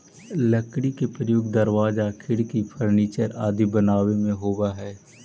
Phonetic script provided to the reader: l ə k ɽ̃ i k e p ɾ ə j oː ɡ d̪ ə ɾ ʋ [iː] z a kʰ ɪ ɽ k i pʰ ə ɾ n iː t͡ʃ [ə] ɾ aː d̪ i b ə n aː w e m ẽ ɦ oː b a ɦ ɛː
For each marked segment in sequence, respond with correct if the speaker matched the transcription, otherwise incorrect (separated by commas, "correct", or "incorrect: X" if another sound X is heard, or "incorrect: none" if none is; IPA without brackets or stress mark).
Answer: incorrect: aː, correct